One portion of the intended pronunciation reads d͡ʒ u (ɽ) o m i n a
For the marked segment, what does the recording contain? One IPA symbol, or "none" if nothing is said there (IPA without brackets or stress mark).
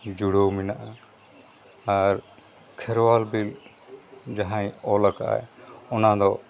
ɽ